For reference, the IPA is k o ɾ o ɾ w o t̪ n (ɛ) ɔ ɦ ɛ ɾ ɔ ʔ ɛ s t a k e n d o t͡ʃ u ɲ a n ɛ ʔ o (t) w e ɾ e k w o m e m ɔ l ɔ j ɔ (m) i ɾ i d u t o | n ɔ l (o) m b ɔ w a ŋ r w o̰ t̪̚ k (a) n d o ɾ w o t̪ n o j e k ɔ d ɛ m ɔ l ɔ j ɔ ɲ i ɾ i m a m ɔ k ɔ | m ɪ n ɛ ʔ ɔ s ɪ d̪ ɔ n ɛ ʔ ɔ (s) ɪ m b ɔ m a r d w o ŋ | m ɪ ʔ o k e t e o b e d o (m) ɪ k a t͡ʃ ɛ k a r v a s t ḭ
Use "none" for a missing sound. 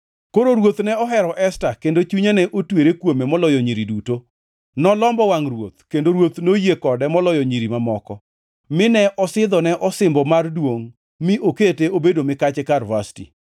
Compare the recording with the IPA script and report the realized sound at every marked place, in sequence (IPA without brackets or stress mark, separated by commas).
ɛ, t, ɲ, ɔ, e, s, m